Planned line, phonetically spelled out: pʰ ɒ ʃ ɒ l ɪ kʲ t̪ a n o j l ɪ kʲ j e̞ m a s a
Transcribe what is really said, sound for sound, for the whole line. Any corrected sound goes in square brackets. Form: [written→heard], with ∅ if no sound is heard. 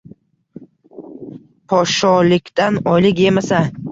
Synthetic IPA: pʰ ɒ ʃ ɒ l ɪ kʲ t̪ a n [o→ɒ] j l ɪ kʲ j e̞ m a s a